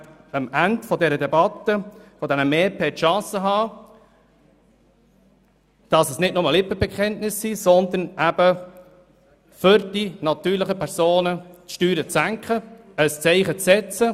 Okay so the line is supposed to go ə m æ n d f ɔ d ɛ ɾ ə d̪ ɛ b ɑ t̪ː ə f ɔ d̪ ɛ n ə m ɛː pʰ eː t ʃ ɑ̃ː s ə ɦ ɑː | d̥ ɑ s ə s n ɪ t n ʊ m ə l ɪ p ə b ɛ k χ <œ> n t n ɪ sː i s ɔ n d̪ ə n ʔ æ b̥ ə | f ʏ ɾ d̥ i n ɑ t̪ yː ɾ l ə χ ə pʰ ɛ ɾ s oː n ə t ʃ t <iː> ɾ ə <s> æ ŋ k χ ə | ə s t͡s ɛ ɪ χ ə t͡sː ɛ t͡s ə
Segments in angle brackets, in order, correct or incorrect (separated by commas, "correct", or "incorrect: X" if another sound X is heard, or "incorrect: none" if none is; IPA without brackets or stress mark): incorrect: ɛ, incorrect: yː, incorrect: t͡s